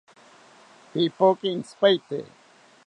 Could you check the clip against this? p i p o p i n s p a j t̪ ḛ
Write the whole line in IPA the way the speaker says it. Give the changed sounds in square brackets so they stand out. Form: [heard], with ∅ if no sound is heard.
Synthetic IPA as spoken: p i p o [k] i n s p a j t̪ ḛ